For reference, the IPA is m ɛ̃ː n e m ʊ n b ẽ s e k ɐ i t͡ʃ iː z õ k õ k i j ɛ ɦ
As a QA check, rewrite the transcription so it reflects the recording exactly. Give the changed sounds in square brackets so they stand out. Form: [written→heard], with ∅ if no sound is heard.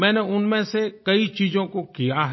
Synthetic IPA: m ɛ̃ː n e [m→∅] ʊ n [b→m] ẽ s e k ɐ i t͡ʃ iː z õ k [õ→o] k i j [ɛ→a] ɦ